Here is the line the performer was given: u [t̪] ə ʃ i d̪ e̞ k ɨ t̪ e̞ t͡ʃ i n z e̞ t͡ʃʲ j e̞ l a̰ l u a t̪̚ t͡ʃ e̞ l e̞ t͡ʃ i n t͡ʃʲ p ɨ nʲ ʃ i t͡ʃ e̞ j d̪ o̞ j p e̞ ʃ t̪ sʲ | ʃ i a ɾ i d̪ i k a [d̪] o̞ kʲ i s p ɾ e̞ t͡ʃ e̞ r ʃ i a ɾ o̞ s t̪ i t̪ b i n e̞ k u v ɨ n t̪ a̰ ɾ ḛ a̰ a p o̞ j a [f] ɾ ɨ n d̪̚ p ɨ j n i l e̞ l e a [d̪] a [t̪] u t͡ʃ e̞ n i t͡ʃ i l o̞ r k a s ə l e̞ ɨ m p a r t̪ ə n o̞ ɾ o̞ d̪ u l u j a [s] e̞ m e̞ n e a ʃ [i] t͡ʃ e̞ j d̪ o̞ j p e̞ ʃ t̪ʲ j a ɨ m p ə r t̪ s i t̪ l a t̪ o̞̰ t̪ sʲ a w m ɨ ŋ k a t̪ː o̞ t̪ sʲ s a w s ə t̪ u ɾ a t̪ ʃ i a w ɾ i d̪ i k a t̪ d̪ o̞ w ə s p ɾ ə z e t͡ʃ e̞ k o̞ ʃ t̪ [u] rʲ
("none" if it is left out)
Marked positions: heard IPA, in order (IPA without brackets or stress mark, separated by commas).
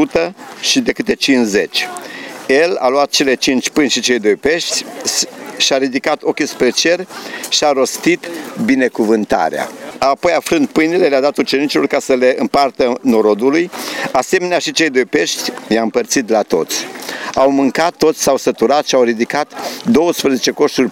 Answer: t̪, t̪, f, d̪, t̪, s, i, u